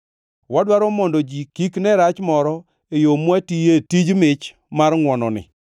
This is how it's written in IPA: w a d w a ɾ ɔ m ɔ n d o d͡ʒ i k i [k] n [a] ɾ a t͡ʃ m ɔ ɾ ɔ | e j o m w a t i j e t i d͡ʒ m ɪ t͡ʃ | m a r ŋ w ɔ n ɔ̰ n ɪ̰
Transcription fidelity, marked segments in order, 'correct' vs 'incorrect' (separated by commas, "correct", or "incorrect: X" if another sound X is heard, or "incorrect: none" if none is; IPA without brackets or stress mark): correct, incorrect: ɛ